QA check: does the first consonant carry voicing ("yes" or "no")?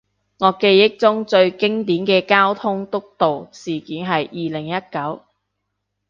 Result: yes